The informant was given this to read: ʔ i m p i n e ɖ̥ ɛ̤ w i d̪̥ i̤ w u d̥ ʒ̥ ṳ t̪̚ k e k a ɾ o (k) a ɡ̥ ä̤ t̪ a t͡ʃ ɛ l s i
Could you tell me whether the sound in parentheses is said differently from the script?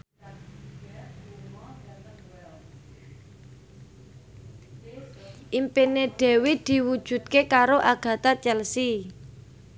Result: yes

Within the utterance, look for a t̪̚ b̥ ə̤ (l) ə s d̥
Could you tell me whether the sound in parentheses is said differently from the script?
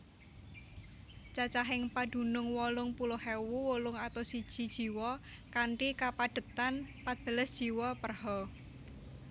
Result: no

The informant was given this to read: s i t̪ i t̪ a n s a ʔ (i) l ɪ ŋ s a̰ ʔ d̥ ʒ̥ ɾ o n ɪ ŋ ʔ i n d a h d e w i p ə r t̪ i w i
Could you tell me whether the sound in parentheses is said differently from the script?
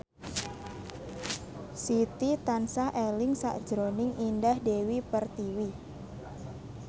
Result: yes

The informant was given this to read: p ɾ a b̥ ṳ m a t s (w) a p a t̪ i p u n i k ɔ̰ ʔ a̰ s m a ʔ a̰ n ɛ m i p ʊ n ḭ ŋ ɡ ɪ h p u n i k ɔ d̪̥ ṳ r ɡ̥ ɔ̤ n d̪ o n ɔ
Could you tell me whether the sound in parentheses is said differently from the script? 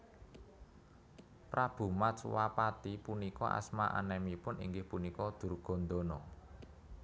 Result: no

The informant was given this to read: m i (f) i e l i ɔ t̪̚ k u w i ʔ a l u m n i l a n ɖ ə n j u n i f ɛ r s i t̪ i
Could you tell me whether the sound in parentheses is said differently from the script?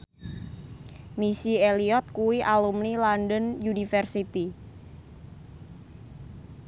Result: yes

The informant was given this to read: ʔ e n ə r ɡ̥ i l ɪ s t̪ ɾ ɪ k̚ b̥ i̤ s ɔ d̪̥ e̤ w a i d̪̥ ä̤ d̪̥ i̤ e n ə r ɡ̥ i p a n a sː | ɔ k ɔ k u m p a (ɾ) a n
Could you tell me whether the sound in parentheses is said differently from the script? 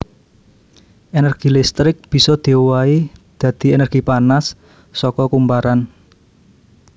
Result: no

